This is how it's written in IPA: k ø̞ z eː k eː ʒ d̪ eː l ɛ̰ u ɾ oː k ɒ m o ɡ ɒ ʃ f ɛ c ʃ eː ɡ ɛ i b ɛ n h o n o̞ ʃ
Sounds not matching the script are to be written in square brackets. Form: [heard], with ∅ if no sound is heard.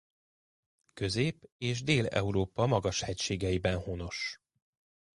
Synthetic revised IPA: k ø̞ z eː [p] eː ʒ d̪ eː l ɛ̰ u ɾ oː [p] ɒ m [ɒ] ɡ ɒ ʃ [h] ɛ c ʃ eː ɡ ɛ i b ɛ n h o n o̞ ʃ